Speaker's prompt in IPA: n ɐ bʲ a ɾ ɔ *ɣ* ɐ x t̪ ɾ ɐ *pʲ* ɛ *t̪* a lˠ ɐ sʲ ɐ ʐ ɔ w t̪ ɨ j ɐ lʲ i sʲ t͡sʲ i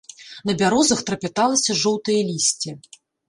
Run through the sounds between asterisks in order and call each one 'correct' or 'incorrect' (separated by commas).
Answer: incorrect, correct, correct